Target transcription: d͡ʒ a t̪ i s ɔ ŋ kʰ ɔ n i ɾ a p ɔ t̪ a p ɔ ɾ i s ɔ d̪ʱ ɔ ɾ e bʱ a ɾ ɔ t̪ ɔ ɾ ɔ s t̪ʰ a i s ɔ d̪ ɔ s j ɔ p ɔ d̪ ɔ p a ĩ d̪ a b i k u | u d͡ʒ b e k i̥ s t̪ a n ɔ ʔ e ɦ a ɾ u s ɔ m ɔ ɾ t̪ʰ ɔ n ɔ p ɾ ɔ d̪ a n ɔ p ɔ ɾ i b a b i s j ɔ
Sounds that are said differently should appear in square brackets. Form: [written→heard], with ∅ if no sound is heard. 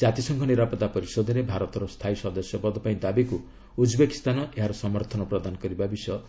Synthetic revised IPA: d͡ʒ a t̪ i s ɔ ŋ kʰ ɔ n i ɾ a p ɔ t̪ a p ɔ ɾ i s ɔ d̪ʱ ɔ ɾ e bʱ a ɾ ɔ t̪ ɔ ɾ ɔ s t̪ʰ a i s ɔ d̪ ɔ s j ɔ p ɔ d̪ ɔ p a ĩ d̪ a b i k u | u d͡ʒ b e k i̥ s t̪ a n ɔ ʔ e ɦ a ɾ [u→ɔ] s ɔ m ɔ ɾ t̪ʰ ɔ n ɔ p ɾ ɔ d̪ a n ɔ [p→k] ɔ ɾ i b a b i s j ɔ